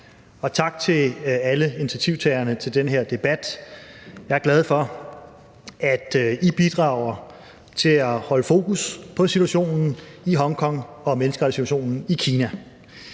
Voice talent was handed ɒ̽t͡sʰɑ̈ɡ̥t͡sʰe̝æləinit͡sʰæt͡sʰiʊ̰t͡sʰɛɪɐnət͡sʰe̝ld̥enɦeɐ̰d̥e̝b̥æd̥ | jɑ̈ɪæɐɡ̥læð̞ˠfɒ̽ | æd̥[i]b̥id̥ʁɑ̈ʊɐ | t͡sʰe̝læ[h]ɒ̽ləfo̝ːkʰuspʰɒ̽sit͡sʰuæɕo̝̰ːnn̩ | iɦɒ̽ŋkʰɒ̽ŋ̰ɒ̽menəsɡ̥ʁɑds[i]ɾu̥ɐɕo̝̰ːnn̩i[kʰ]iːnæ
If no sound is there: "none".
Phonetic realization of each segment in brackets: i, h, i, kʰ

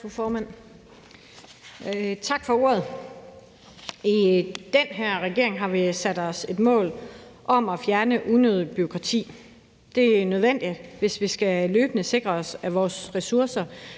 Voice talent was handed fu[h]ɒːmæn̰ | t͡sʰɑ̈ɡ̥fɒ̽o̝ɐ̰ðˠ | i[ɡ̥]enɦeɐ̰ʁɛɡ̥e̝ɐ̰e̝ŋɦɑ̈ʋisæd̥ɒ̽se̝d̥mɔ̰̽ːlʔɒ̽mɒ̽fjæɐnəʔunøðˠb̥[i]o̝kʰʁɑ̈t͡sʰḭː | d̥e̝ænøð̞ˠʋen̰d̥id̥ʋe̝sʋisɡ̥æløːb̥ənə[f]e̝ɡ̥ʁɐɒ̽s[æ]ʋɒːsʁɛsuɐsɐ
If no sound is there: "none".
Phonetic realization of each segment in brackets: f, d̥, y, s, æ

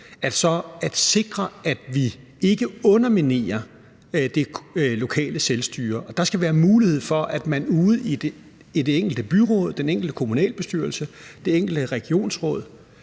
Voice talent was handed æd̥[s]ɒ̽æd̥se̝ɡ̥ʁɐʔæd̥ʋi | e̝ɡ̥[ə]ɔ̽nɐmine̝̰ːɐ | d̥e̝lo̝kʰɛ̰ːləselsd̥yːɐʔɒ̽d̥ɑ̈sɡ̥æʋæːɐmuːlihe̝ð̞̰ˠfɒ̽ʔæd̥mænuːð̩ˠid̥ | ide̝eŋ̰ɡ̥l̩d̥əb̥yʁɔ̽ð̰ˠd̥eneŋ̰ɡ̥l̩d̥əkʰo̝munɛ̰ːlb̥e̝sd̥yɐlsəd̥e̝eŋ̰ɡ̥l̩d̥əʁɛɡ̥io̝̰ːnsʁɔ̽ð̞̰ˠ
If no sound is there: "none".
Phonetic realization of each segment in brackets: s, ə

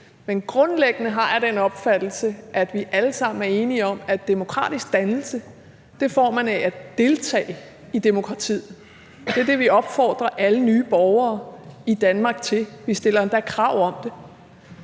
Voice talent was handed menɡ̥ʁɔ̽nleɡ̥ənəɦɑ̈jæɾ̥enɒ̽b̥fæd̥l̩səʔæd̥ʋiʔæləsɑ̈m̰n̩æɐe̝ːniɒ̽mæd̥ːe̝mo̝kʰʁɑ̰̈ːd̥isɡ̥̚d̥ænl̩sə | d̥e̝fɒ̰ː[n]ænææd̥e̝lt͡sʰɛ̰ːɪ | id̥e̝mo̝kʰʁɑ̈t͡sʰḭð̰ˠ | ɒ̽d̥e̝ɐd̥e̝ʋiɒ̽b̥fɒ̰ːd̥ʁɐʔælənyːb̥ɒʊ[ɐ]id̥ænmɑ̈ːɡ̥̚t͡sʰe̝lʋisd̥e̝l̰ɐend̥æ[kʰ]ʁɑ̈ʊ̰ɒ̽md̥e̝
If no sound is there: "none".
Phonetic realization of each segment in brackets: m, ɐː, kʰ

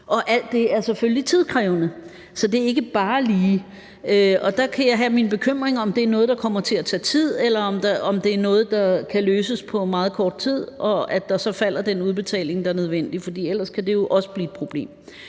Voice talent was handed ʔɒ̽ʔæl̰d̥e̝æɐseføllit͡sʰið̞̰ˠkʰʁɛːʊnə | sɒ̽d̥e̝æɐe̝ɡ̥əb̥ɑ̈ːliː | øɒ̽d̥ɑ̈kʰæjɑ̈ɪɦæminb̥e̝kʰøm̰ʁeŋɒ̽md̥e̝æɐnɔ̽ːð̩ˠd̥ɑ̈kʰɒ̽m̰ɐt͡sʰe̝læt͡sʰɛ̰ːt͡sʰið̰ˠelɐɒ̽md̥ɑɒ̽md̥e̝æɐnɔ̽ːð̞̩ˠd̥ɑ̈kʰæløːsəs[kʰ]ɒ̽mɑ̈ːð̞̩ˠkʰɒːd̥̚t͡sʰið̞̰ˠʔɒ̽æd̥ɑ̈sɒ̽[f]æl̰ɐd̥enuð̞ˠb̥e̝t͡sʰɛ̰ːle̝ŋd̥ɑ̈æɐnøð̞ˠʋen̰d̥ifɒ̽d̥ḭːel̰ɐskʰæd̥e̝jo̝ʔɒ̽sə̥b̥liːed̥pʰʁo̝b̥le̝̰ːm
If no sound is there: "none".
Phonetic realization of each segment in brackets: pʰ, f

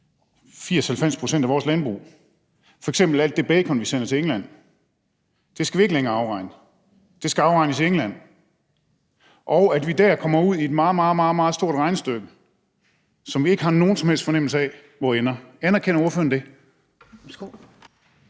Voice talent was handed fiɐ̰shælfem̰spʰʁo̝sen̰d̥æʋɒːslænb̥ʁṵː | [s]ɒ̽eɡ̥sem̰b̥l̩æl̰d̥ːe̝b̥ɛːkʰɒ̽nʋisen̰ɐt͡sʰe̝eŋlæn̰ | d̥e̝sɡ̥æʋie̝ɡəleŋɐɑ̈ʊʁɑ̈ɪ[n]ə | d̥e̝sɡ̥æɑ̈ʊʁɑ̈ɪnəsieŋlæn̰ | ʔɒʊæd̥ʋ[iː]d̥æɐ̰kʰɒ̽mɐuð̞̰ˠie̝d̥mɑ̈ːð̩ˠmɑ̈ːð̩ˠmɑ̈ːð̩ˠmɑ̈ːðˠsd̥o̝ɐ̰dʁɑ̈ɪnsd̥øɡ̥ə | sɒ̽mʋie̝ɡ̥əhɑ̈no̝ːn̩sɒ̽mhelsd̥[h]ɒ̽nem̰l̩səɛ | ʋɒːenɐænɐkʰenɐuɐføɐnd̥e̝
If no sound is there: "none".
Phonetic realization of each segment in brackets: f, n, i, f

